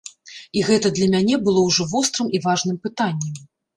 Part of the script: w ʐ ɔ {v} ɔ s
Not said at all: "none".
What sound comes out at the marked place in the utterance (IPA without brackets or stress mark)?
v